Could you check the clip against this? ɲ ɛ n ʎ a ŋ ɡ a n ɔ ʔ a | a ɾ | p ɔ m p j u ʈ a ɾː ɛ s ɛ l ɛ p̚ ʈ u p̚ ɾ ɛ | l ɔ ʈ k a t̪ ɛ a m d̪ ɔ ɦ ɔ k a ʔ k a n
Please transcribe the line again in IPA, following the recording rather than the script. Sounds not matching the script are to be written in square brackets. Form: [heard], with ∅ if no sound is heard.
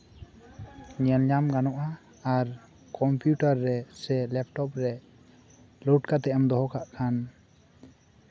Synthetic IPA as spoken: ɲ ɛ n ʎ a [m] ɡ a n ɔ ʔ a | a ɾ | [k] ɔ m p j u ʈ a ɾː ɛ s ɛ l ɛ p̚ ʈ [ɔ] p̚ ɾ ɛ | l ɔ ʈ k a t̪ ɛ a m d̪ ɔ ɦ ɔ k a ʔ [kʰ] a n